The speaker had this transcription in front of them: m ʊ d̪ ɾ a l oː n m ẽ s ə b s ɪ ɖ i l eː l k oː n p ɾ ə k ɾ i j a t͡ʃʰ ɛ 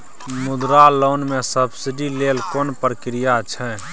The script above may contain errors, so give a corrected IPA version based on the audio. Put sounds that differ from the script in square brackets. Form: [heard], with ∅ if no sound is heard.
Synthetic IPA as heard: m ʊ d̪ ɾ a l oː n m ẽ s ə b s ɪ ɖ i l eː l k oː n p ɾ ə k ɾ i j a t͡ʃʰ ɛ